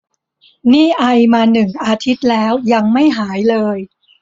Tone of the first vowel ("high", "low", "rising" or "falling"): falling